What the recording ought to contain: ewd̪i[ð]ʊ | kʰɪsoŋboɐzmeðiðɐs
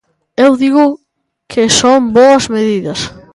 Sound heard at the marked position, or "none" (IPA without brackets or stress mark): ɣ